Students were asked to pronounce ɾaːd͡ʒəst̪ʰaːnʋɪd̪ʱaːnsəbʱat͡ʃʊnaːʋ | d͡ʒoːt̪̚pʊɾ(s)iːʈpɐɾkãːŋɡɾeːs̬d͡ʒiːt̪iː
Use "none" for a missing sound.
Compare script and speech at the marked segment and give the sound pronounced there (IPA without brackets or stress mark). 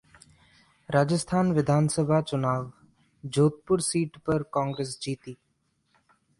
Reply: s